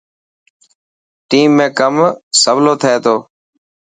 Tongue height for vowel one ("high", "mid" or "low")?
high